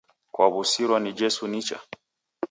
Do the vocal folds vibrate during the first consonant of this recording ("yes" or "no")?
no